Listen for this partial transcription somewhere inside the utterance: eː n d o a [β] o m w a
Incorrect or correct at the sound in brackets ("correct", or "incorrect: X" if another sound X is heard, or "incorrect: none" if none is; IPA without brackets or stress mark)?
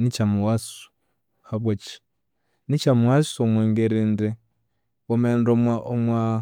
incorrect: none